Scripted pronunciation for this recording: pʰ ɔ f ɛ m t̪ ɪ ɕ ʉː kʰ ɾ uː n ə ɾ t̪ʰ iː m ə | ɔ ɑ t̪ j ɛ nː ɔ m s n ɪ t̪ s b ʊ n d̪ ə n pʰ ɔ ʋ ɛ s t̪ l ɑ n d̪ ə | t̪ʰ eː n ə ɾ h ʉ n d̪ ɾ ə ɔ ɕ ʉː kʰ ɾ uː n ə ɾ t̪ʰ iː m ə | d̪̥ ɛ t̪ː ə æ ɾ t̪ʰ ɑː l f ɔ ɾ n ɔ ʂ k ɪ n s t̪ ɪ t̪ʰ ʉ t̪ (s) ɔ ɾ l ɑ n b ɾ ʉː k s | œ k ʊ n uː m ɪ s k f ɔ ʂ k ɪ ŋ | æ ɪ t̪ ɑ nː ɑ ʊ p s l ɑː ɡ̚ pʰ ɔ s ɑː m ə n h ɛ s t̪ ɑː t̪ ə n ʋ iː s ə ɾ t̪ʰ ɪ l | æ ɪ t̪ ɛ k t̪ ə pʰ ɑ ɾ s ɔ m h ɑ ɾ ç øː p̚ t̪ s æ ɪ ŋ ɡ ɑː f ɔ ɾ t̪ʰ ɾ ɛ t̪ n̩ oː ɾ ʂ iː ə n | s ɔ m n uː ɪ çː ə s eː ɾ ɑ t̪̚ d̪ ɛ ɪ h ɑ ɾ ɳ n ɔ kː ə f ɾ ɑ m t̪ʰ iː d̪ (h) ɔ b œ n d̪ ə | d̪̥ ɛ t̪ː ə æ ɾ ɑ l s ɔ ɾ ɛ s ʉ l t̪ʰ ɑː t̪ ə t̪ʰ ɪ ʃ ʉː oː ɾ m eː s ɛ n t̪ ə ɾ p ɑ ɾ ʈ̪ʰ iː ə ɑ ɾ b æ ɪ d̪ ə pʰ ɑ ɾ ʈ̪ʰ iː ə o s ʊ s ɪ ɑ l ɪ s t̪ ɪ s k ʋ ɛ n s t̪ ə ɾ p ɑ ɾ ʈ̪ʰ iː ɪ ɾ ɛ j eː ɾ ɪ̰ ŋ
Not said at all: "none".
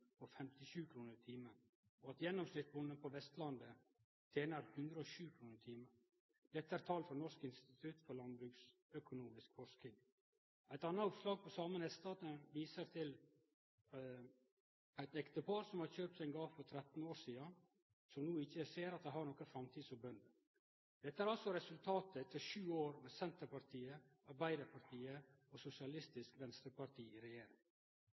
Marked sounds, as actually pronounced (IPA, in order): f, s

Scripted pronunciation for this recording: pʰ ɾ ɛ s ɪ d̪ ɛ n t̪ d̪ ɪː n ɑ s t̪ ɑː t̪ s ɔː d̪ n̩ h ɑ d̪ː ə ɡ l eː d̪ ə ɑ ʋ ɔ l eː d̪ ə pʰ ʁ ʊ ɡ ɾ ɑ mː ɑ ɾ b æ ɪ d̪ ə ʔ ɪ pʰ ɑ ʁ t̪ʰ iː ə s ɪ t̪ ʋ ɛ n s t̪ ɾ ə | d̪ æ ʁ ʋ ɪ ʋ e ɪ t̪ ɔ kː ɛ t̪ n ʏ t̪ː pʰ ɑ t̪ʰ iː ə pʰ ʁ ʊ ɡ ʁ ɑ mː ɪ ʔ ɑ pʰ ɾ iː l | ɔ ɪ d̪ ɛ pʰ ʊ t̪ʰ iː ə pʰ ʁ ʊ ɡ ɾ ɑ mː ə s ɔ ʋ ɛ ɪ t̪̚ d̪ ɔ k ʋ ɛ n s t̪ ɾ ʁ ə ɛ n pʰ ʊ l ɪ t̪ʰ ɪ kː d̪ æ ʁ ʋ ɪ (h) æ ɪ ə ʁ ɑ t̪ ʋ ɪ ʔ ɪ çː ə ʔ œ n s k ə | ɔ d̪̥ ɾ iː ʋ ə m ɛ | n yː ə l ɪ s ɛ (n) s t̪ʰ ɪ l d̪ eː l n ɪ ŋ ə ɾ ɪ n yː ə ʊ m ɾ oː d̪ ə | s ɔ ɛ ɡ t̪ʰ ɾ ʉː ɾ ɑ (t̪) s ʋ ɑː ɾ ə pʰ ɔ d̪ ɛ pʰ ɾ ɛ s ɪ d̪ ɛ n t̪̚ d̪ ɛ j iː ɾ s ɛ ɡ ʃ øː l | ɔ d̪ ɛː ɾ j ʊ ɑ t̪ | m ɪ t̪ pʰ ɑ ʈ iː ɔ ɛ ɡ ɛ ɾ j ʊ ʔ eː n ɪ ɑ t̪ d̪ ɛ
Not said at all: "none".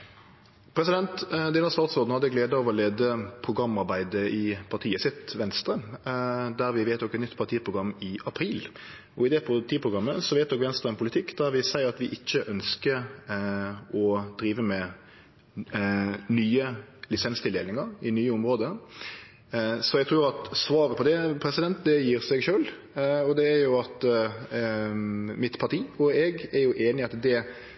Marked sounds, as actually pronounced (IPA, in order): s, n, t̪

